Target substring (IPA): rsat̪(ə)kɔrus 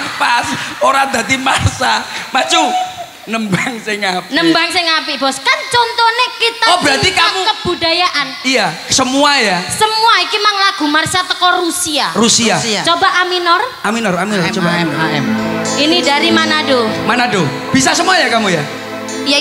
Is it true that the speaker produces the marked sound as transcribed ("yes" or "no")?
yes